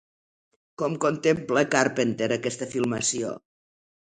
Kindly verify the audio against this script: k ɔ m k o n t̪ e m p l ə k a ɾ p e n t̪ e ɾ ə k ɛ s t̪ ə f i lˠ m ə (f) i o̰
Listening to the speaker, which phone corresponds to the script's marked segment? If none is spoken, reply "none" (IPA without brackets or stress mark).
s